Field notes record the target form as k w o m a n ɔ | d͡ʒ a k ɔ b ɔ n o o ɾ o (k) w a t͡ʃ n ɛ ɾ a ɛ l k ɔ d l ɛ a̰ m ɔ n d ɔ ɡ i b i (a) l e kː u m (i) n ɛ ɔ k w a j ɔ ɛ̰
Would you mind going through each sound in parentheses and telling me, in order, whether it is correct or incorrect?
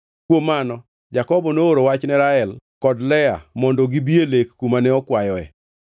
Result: incorrect: none, incorrect: e, incorrect: a

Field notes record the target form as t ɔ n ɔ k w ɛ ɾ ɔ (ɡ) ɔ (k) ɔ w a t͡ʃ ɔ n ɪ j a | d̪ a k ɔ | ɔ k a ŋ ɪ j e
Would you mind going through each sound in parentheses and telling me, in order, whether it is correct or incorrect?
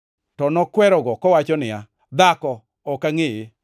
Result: correct, correct

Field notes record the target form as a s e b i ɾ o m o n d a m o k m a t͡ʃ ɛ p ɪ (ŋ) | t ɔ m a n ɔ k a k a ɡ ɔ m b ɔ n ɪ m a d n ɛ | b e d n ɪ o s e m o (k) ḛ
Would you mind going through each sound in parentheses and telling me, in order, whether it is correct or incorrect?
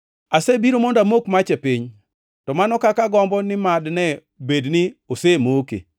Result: incorrect: ɲ, correct

